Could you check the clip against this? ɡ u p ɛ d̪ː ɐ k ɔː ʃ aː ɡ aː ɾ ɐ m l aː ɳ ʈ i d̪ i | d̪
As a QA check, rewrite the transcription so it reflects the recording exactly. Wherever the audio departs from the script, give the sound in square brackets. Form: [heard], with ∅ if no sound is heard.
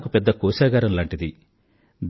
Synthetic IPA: [k] u p ɛ d̪ː ɐ k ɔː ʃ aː ɡ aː ɾ ɐ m l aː ɳ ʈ i d̪ i | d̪